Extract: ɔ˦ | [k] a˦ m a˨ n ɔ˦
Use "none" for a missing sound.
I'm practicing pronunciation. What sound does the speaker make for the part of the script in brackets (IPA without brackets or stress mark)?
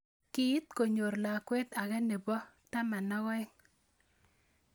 t